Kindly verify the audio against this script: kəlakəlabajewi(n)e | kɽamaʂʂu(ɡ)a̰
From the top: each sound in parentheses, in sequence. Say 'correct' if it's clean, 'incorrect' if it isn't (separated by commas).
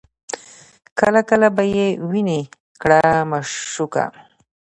correct, incorrect